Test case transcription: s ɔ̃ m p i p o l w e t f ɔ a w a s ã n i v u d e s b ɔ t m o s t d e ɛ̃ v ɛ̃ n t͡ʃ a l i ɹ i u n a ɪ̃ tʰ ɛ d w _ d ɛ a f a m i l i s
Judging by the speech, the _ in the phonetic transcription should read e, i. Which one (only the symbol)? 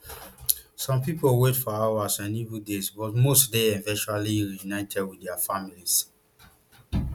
i